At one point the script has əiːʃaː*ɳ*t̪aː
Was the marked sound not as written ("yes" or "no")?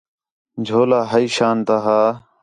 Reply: yes